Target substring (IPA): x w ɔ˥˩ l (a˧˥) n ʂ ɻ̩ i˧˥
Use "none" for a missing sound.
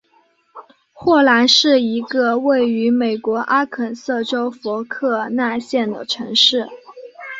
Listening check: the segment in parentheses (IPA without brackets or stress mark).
a˧˥